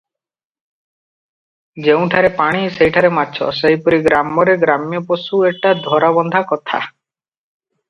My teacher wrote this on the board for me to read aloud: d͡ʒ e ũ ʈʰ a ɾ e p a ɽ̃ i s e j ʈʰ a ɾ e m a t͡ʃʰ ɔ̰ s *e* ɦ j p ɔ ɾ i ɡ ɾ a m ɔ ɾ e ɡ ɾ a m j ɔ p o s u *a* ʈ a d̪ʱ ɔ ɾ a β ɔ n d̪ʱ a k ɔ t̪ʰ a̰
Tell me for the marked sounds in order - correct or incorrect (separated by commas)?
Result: correct, incorrect